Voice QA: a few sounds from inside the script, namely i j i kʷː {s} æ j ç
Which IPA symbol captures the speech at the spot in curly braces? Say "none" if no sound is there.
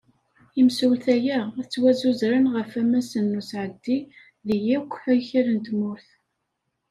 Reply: ħ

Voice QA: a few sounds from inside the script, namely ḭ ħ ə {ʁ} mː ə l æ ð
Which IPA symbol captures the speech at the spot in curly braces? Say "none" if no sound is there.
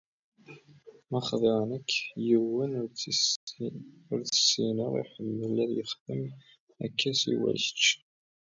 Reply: none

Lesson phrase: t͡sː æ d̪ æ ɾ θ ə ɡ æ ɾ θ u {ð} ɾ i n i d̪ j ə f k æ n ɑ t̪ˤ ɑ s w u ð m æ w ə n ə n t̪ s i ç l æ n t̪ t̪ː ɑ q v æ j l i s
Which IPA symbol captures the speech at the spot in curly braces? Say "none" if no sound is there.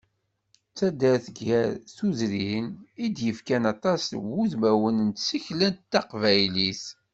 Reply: z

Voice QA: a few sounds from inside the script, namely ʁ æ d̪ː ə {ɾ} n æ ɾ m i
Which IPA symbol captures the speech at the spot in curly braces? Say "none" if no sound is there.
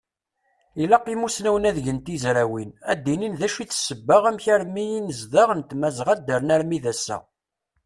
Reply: ɾ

